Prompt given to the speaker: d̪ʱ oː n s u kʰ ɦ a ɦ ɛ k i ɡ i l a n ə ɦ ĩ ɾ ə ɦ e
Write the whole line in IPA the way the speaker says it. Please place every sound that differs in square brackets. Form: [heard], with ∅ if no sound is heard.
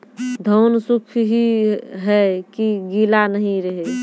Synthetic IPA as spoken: d̪ʱ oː n s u kʰ ɦ [i] ɦ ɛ k i ɡ i l a n ə ɦ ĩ ɾ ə ɦ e